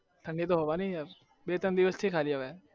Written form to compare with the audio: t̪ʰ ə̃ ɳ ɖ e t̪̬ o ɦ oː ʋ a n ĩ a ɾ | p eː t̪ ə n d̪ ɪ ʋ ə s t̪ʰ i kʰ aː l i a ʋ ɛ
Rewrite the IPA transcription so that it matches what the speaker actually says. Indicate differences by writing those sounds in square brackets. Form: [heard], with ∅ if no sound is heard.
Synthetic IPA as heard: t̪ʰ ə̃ ɳ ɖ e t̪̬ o ɦ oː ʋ a n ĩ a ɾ | [b] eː t̪ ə n d̪ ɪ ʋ ə s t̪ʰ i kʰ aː l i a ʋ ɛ